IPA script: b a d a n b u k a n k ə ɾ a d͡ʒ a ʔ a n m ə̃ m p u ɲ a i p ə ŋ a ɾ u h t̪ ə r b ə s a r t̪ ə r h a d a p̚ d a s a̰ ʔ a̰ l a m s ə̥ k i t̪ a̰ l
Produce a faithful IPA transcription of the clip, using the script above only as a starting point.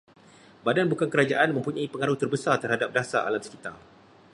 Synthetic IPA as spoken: b a d a n b u k a n k ə ɾ a d͡ʒ a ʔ a n m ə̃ m p u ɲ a i p ə ŋ a ɾ u h t̪ ə r b ə s a r t̪ ə r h a d a p̚ d a s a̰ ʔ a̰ l a m s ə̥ k i t̪ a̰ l